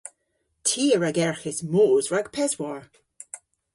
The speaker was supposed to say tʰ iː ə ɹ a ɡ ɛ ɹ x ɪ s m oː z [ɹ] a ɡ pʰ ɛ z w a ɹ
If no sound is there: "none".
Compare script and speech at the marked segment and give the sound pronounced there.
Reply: ɹ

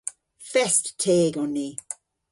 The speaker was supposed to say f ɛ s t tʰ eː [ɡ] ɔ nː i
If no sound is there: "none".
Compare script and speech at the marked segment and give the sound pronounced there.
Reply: ɡ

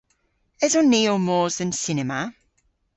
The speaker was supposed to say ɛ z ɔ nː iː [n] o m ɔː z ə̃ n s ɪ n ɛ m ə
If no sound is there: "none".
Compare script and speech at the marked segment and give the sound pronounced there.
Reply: none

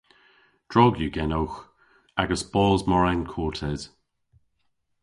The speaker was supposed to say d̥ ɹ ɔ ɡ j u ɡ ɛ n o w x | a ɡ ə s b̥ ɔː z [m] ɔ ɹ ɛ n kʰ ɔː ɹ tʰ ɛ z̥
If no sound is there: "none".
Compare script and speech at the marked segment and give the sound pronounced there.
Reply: m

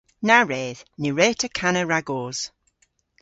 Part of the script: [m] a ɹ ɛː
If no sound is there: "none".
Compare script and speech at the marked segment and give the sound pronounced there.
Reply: n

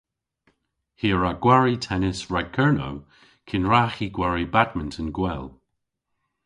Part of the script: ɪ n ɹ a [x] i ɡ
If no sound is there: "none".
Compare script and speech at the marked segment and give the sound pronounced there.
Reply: x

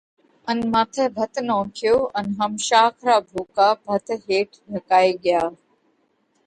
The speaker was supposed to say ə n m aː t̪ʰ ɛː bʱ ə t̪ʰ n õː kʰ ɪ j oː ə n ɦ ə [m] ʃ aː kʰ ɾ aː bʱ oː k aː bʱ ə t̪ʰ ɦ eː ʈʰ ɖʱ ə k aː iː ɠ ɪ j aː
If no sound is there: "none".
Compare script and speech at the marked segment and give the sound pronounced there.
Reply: m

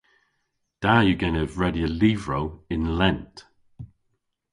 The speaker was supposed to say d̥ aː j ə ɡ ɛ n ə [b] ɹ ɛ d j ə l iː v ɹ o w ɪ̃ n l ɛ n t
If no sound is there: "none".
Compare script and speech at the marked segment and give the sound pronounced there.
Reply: v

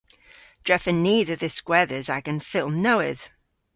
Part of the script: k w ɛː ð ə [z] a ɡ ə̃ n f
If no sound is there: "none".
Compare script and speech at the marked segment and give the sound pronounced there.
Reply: z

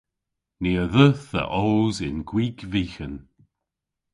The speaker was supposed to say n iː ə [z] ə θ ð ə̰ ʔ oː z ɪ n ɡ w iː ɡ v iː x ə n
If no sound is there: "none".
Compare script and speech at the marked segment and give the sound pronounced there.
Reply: ð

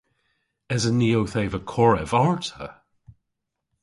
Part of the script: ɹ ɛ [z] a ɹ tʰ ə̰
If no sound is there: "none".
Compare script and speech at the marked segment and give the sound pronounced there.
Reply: v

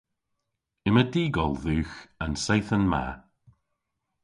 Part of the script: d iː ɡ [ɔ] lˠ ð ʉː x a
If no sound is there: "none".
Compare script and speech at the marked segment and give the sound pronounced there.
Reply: ɔ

